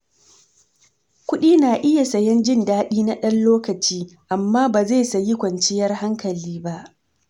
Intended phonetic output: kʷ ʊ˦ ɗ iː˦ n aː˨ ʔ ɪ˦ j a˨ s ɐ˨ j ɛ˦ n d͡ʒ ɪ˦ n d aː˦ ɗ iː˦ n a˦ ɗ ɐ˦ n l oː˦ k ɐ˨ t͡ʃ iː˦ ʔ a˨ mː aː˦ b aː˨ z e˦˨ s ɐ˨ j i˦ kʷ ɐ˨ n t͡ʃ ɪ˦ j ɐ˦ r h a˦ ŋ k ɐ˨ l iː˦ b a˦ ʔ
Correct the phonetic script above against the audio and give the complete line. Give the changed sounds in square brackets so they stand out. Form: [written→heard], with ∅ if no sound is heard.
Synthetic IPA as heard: kʷ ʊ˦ ɗ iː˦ n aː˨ ʔ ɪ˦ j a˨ s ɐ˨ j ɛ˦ n d͡ʒ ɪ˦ n d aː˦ ɗ iː˦ n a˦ ɗ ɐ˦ n l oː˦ k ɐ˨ t͡ʃ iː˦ ʔ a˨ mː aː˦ b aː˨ z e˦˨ s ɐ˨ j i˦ kʷ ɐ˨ n t͡ʃ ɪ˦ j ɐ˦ r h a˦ ŋ k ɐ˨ l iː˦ b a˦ ʔ